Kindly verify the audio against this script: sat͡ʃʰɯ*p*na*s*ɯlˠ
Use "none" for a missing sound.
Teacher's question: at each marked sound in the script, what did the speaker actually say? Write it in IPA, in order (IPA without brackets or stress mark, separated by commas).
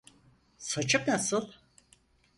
p, s